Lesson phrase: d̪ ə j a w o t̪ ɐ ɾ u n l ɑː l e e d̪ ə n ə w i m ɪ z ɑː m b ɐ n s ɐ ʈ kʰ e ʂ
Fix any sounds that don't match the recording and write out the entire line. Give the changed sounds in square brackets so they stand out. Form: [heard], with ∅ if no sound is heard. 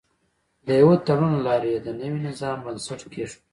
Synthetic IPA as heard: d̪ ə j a w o t̪ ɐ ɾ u n l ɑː [ɾ] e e d̪ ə n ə w i [n] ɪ z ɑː m b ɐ n s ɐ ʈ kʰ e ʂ